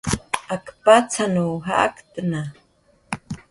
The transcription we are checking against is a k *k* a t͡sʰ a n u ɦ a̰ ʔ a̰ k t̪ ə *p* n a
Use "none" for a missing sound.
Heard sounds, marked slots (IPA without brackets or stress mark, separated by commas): p, none